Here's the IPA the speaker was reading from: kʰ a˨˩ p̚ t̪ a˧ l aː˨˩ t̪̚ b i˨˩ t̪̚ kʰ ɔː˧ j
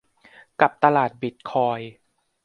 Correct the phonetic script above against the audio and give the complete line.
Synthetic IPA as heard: k a˨˩ p̚ t̪ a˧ l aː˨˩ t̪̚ b i˨˩ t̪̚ kʰ ɔː˧ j